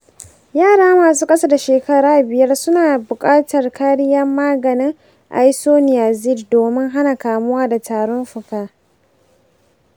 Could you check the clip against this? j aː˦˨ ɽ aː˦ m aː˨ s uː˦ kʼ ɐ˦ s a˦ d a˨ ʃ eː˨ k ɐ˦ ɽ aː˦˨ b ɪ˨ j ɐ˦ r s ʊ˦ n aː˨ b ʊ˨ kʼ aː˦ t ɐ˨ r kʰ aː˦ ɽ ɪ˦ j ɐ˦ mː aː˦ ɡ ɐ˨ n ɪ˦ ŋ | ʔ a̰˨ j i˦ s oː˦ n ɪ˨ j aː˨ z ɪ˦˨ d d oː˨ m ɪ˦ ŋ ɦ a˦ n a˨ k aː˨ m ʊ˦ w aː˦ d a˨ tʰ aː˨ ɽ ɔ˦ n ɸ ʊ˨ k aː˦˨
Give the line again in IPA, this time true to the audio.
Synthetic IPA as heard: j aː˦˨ ɽ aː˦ m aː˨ s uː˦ kʼ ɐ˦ s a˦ d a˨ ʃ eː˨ k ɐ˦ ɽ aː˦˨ b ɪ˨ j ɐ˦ r s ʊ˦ n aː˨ b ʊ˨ kʼ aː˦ t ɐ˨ r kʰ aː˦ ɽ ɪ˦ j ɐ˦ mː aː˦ ɡ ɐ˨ n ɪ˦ ŋ | ʔ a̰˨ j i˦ s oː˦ n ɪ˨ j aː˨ z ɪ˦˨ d d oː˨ m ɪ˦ ŋ ɦ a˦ n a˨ k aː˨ m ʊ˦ w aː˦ d a˨ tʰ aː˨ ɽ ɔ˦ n ɸ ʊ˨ k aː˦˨